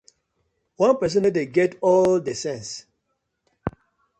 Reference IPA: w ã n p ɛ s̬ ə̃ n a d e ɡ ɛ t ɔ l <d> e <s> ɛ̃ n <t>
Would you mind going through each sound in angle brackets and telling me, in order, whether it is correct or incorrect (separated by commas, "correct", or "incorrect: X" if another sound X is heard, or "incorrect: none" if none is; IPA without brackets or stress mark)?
correct, correct, incorrect: s